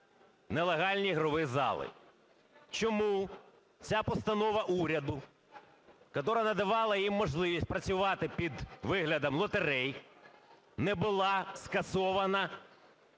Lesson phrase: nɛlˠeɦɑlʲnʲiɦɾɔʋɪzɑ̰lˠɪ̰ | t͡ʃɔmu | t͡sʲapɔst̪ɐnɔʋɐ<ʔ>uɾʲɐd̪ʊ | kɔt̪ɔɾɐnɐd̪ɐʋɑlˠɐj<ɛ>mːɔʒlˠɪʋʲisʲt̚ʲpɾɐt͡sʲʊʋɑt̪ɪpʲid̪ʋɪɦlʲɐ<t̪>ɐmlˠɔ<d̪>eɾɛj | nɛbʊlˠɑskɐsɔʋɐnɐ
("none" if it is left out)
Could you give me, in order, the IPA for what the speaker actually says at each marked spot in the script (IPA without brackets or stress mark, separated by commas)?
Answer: ʔ, i, d̪, t̪